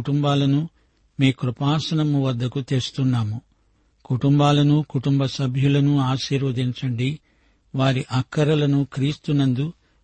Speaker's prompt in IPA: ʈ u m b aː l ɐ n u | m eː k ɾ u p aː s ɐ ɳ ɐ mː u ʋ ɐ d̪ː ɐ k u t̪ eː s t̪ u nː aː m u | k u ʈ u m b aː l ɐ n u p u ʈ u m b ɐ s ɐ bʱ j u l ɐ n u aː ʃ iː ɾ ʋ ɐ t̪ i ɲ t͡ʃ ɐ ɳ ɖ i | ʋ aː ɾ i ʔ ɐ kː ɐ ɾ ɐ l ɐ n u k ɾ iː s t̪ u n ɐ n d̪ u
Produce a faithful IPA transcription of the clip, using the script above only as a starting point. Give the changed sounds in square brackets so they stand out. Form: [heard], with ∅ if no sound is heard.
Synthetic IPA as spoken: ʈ u m b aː l ɐ n u | m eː k ɾ u p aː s ɐ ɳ ɐ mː u ʋ ɐ d̪ː ɐ k u t̪ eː s t̪ u nː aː m u | k u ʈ u m b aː l ɐ n u [k] u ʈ u m b ɐ s ɐ bʱ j u l ɐ n u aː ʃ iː ɾ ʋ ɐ [d̪] i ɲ t͡ʃ ɐ ɳ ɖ i | ʋ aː ɾ i ʔ ɐ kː ɐ ɾ ɐ l ɐ n u k ɾ iː s t̪ u n ɐ n d̪ u